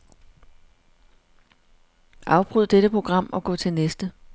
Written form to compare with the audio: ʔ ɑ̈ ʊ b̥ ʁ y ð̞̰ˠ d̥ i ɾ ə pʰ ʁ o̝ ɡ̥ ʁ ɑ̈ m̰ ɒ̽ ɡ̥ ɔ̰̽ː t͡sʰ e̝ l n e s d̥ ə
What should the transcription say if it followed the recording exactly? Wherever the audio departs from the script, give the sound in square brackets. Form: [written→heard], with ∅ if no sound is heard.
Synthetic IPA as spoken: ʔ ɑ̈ ʊ b̥ ʁ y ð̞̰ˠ d̥ [i→e] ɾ ə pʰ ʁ o̝ ɡ̥ ʁ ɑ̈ m̰ ɒ̽ ɡ̥ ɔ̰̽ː t͡sʰ e̝ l n e s d̥ ə